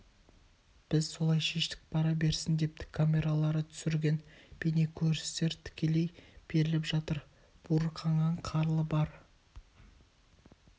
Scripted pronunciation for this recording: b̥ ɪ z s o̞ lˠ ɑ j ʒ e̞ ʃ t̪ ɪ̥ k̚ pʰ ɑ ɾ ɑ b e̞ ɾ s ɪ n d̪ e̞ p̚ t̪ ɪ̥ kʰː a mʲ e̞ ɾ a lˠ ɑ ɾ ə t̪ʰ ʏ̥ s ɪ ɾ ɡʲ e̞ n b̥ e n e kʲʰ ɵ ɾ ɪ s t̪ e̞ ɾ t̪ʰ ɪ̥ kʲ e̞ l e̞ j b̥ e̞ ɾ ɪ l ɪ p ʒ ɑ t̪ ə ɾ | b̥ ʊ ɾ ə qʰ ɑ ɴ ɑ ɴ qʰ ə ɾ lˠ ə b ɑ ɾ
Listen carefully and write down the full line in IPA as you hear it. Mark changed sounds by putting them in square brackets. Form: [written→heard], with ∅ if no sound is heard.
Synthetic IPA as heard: b̥ ɪ z s o̞ lˠ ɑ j [ʒ→ʃ] e̞ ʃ t̪ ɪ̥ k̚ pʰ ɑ ɾ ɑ b e̞ ɾ s ɪ n d̪ e̞ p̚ t̪ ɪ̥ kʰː a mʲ e̞ ɾ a lˠ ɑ ɾ ə t̪ʰ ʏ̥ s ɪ ɾ ɡʲ e̞ n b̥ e n e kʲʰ ɵ ɾ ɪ s t̪ e̞ ɾ t̪ʰ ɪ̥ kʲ e̞ l e̞ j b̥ e̞ ɾ ɪ l ɪ p ʒ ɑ t̪ ə ɾ | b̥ [ʊ→u] ɾ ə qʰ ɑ ɴ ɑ ɴ qʰ [ə→ɑ] ɾ lˠ ə b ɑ ɾ

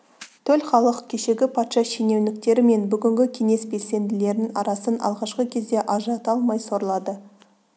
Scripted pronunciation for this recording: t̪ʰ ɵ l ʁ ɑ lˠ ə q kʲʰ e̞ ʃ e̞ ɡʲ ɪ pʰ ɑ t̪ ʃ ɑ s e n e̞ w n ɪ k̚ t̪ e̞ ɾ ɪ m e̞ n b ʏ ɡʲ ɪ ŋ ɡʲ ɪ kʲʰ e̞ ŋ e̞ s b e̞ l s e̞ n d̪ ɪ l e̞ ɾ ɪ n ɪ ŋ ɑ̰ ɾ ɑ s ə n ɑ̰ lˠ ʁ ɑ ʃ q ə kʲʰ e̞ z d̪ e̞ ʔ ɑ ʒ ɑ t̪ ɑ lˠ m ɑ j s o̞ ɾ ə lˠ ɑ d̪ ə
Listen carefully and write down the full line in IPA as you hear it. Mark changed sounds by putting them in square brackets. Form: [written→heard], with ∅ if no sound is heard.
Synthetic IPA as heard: t̪ʰ ɵ l [ʁ→χ] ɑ lˠ ə q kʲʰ e̞ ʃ e̞ ɡʲ ɪ pʰ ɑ t̪ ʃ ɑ [s→ʃ] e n e̞ w n ɪ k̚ t̪ e̞ ɾ ɪ m e̞ n b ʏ ɡʲ ɪ ŋ ɡʲ ɪ kʲʰ e̞ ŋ e̞ s b e̞ l s e̞ n d̪ ɪ l e̞ ɾ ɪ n ɪ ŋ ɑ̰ ɾ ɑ s ə n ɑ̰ lˠ ʁ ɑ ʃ q ə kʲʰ e̞ z d̪ e̞ ʔ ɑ ʒ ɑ t̪ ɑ lˠ m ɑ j s o̞ ɾ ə lˠ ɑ d̪ ə

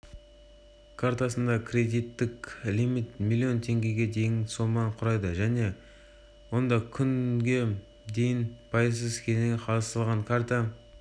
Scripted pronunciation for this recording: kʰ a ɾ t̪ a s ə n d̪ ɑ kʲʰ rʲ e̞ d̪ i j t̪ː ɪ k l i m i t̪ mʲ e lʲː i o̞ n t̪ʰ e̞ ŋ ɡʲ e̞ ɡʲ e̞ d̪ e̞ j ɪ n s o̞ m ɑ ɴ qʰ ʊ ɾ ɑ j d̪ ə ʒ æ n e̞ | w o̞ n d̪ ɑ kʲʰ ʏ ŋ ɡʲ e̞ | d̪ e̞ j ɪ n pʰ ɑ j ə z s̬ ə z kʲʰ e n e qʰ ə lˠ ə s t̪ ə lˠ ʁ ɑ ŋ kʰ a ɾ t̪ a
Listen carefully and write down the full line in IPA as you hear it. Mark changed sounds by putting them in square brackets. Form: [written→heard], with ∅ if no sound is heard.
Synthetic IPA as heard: kʰ a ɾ t̪ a s ə n d̪ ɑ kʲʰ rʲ e̞ d̪ i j t̪ː ɪ k l i m i t̪ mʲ [e→i] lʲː i o̞ n t̪ʰ e̞ ŋ ɡʲ e̞ ɡʲ e̞ d̪ e̞ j ɪ n s o̞ m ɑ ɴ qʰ ʊ ɾ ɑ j d̪ ə ʒ æ n e̞ | w o̞ n d̪ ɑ kʲʰ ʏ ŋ ɡʲ e̞ | d̪ e̞ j ɪ n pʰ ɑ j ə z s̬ ə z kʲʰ e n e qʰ [ə→ɑ] lˠ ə s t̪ ə lˠ ʁ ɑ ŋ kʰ a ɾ t̪ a

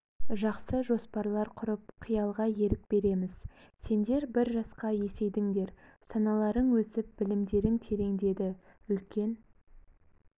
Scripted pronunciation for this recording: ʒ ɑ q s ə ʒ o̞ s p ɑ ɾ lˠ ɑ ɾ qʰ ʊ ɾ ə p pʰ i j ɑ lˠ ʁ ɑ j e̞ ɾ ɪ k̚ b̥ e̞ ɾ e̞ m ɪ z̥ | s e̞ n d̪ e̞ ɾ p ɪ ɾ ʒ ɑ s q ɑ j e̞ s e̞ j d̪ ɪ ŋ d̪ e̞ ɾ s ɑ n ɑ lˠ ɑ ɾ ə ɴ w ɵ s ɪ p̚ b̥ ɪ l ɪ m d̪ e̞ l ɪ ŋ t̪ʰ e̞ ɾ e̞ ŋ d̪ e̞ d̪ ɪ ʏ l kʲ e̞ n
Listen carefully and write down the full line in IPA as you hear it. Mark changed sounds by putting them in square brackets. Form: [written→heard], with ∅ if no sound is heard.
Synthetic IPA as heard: ʒ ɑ q s ə ʒ o̞ s p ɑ ɾ lˠ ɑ ɾ qʰ ʊ ɾ ə p [pʰ→qʰ] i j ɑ lˠ ʁ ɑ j e̞ ɾ ɪ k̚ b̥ e̞ ɾ e̞ m ɪ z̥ | s e̞ n d̪ e̞ ɾ [p→b] ɪ ɾ ʒ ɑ s q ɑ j e̞ s e̞ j d̪ ɪ ŋ d̪ e̞ ɾ s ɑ n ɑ lˠ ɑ ɾ ə ɴ w ɵ s ɪ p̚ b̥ ɪ l ɪ m d̪ e̞ [l→ɾ] ɪ ŋ t̪ʰ e̞ ɾ e̞ ŋ d̪ e̞ d̪ ɪ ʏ l kʲ e̞ n

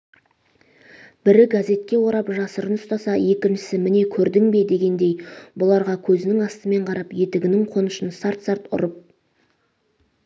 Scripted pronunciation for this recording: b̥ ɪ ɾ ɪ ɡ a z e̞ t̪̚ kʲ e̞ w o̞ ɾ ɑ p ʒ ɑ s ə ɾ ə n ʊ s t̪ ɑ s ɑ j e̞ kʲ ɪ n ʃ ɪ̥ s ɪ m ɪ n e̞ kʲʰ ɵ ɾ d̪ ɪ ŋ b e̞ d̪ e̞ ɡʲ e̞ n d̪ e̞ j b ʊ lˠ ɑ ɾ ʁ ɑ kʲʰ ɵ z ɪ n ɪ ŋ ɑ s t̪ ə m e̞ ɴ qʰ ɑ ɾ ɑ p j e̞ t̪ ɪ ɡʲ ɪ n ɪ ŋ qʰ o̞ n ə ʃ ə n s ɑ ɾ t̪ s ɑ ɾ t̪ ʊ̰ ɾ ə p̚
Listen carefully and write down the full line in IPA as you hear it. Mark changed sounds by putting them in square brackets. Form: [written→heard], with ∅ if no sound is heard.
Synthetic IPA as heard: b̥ ɪ ɾ ɪ ɡ a z e̞ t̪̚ kʲ e̞ w o̞ ɾ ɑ p ʒ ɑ s ə ɾ ə n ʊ s t̪ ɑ s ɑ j e̞ kʲ ɪ n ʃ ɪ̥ s ɪ m ɪ n e̞ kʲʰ ɵ ɾ d̪ ɪ ŋ b e̞ d̪ e̞ ɡʲ e̞ n d̪ e̞ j b ʊ lˠ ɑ ɾ ʁ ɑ kʲʰ ɵ z ɪ n ɪ ŋ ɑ s t̪ ə m e̞ ɴ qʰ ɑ ɾ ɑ p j e̞ t̪ ɪ ɡʲ ɪ n ɪ ŋ qʰ o̞ n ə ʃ ə n s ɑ ɾ t̪ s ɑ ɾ t̪ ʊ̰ ɾ ə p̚

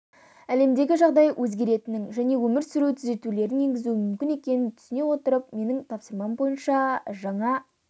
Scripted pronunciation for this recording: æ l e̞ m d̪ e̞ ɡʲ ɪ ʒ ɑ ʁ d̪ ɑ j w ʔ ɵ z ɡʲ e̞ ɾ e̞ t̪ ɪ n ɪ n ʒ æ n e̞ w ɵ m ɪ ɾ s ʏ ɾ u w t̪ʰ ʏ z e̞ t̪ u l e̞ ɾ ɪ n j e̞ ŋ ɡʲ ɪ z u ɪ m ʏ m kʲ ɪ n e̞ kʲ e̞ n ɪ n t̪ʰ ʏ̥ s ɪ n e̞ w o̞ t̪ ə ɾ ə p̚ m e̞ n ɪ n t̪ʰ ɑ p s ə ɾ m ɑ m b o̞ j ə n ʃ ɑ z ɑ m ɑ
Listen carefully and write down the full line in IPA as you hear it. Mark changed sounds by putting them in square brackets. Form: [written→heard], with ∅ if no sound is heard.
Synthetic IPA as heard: æ l e̞ m d̪ e̞ ɡʲ ɪ ʒ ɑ ʁ d̪ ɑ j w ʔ ɵ z ɡʲ e̞ ɾ e̞ t̪ ɪ n ɪ [n→ŋ] ʒ æ n e̞ w ɵ m ɪ ɾ s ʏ ɾ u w t̪ʰ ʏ z e̞ t̪ u l e̞ ɾ ɪ n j e̞ ŋ ɡʲ ɪ z u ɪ m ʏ m kʲ ɪ n e̞ kʲ e̞ n ɪ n t̪ʰ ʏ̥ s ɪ n e̞ w o̞ t̪ ə ɾ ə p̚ m e̞ n ɪ [n→ŋ] t̪ʰ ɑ p s ə ɾ m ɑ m b o̞ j ə n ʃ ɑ [z→ʒ] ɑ [m→ɴ] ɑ

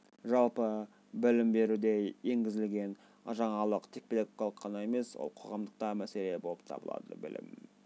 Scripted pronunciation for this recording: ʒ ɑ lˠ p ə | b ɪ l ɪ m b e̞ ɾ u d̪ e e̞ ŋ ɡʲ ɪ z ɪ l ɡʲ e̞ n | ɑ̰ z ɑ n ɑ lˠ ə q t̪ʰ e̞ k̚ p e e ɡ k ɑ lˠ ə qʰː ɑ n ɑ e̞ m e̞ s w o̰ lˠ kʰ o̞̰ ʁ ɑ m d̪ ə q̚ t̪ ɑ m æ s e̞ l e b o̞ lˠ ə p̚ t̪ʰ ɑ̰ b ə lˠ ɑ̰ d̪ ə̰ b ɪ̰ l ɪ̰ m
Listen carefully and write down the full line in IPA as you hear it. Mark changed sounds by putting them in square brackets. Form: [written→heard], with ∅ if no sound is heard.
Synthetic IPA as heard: ʒ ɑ lˠ p ə | b ɪ l ɪ m b e̞ ɾ u d̪ e e̞ ŋ ɡʲ ɪ z ɪ l ɡʲ e̞ n | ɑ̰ [z→ʒ] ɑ [n→ɴ] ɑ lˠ ə q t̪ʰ e̞ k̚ p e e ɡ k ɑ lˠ ə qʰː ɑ n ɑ e̞ m e̞ s w o̰ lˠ [kʰ→qʰ] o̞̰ ʁ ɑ m d̪ ə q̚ t̪ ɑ m æ s e̞ l e b o̞ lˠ ə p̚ t̪ʰ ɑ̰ b ə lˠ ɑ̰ d̪ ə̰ b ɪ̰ l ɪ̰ m

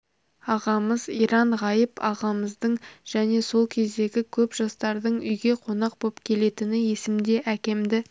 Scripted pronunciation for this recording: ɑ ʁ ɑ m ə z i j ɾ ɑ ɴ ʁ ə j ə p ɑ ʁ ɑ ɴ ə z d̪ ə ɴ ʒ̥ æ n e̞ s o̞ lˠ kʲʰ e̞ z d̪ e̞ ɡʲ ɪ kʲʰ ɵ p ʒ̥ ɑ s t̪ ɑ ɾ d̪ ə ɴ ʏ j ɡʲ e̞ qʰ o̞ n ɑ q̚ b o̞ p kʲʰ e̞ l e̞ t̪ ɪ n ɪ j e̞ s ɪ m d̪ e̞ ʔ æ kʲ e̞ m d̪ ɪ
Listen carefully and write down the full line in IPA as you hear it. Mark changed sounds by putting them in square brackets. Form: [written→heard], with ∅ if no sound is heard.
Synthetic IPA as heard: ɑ ʁ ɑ m ə z i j ɾ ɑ ɴ ʁ [ə→ɑ] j ə p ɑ ʁ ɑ [ɴ→m] ə z d̪ ə ɴ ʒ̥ æ n e̞ s o̞ lˠ kʲʰ e̞ z d̪ e̞ ɡʲ ɪ kʲʰ ɵ p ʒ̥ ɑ s t̪ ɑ ɾ d̪ ə ɴ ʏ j ɡʲ e̞ qʰ o̞ n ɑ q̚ b o̞ p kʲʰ e̞ l e̞ t̪ ɪ n ɪ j e̞ s ɪ m d̪ e̞ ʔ æ kʲ e̞ m d̪ ɪ

